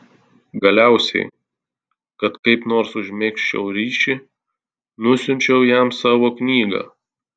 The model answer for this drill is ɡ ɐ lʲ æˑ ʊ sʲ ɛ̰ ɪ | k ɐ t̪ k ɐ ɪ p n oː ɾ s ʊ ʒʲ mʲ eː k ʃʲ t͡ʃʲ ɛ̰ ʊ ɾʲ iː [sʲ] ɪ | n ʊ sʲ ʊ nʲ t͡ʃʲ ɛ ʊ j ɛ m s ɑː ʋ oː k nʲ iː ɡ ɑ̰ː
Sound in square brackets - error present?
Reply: yes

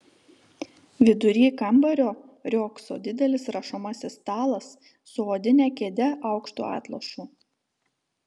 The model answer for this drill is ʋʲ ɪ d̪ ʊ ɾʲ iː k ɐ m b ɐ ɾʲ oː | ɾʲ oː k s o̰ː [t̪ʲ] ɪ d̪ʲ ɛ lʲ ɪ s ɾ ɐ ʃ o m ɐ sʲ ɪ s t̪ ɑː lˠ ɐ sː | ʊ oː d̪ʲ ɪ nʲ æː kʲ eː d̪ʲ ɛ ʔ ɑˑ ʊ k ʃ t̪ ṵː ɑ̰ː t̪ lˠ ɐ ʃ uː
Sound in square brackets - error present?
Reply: yes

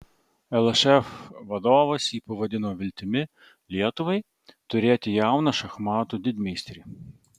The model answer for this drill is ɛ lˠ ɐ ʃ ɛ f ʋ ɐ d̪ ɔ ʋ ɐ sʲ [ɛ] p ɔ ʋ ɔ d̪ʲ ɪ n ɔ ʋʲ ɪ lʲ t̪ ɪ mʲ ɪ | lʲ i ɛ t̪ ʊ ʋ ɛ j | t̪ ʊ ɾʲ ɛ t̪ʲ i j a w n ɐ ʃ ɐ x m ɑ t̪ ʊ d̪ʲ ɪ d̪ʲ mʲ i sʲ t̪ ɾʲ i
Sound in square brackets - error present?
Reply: yes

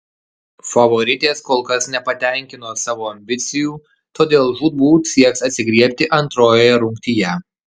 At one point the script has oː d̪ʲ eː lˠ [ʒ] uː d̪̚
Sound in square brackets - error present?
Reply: no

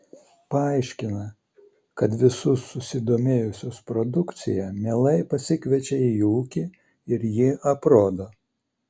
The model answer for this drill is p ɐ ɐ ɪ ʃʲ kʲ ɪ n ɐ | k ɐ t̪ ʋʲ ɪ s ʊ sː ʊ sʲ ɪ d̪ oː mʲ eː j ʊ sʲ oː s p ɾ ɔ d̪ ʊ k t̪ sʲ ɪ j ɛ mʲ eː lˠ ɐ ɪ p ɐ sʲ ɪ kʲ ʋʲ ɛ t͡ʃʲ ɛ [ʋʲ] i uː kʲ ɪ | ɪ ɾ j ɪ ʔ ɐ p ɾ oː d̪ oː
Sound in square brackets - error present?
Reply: yes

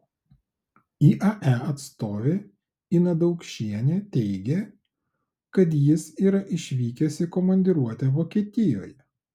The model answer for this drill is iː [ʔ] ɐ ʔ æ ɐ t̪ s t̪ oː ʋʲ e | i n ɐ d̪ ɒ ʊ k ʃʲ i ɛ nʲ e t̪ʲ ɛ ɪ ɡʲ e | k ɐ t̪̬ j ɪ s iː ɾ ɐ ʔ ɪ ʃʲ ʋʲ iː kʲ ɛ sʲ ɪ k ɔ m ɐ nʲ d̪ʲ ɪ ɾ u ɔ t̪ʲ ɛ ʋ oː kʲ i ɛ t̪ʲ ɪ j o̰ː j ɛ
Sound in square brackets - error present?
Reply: no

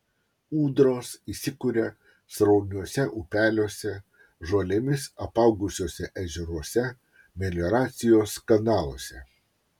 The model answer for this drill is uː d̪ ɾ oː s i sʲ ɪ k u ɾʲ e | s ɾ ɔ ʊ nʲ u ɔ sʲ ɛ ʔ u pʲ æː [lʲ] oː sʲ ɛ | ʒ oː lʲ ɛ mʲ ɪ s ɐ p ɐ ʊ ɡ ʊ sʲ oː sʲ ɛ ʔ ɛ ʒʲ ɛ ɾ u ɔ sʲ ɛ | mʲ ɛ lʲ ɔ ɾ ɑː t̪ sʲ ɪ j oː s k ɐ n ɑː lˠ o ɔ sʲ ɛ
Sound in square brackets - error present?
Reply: no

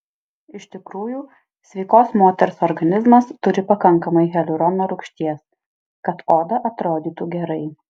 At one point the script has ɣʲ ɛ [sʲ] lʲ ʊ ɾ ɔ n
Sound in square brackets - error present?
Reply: yes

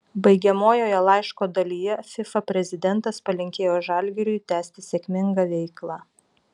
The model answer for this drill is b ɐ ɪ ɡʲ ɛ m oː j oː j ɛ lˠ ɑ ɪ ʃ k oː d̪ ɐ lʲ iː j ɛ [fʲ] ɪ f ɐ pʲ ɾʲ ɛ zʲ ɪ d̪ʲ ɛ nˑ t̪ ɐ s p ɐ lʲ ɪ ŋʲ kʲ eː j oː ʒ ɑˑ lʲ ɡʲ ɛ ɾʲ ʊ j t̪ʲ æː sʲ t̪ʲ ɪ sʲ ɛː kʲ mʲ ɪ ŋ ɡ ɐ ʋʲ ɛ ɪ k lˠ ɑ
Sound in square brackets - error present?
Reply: no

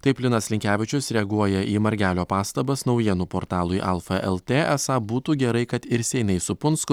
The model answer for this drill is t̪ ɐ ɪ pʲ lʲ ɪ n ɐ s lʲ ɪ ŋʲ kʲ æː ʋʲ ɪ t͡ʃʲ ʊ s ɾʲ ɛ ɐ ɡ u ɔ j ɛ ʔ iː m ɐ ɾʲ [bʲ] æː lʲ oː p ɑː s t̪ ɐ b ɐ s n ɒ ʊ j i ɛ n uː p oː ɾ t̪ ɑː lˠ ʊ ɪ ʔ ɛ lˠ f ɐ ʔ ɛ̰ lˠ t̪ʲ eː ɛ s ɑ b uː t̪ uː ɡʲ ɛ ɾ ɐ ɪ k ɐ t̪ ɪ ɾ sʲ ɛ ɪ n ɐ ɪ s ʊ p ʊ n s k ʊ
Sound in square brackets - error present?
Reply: yes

